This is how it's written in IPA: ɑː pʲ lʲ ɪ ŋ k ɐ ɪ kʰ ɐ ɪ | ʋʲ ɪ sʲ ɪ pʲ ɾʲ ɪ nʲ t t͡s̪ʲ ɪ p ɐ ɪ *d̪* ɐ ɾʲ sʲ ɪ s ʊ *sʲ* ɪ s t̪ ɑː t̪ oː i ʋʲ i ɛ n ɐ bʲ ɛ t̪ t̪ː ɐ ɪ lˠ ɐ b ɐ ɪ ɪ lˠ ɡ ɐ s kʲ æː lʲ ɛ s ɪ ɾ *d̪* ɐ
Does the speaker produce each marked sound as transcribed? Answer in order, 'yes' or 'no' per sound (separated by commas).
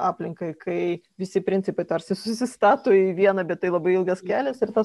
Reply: no, yes, no